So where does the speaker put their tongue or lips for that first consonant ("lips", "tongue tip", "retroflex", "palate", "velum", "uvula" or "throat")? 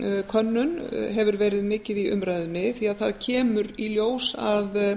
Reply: velum